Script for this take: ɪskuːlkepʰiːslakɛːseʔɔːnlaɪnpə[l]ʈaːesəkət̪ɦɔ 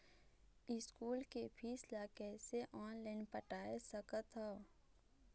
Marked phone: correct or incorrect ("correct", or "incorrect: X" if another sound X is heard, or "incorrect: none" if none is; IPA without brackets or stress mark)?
incorrect: none